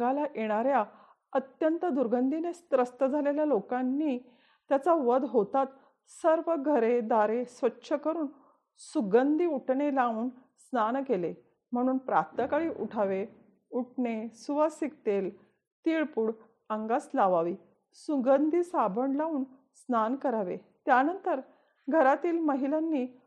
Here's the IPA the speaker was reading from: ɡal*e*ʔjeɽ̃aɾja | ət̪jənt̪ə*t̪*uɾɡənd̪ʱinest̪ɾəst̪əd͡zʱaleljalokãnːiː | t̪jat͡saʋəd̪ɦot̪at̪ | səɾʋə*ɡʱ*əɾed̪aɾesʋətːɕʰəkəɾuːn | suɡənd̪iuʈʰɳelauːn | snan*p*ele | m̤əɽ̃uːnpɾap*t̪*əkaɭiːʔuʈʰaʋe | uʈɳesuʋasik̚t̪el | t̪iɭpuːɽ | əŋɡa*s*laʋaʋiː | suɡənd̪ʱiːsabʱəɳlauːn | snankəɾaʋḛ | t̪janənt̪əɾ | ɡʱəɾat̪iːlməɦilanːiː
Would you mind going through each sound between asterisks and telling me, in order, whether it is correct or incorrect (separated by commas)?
incorrect, incorrect, correct, incorrect, correct, correct